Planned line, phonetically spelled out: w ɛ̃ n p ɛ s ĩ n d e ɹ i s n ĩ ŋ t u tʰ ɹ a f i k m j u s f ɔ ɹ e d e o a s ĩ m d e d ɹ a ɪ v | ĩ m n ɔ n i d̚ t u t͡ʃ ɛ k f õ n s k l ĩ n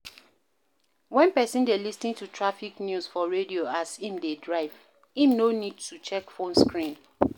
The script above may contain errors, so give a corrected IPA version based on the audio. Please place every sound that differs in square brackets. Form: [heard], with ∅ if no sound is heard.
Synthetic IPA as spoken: w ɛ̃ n p ɛ s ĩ n d e [l] i s n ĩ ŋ t u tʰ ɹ a f i k [n] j u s f ɔ ɹ e d [i] o a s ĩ m d e d ɹ a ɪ v | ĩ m n [o] n i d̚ t u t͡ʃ ɛ k f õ n s k [ɹ] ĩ n